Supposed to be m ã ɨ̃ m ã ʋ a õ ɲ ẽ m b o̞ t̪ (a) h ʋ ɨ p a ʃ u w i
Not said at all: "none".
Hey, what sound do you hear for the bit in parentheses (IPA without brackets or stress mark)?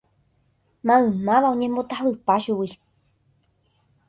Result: a